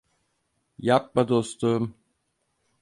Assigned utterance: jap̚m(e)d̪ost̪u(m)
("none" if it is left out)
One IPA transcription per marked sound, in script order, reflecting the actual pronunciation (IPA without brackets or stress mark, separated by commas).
a, m